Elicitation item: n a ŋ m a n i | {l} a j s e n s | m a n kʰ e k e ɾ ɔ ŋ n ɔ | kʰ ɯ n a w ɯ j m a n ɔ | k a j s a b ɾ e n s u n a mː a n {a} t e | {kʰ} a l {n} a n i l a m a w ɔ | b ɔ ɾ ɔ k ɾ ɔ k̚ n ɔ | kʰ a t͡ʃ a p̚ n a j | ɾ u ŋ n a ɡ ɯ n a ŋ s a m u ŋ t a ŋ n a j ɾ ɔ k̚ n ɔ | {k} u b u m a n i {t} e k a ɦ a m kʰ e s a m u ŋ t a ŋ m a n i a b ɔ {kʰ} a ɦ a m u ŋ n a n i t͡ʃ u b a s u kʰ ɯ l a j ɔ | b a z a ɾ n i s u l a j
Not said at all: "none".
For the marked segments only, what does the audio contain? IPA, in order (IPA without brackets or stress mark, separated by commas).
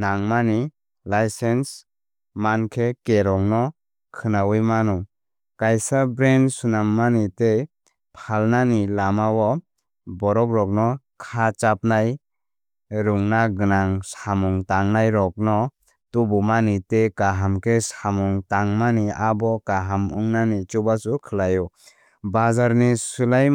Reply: l, i, pʰ, n, t, t, k